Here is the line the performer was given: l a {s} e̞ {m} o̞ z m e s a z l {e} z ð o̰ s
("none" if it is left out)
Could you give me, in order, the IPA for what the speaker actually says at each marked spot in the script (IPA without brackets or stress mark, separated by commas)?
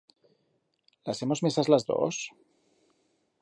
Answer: s, m, a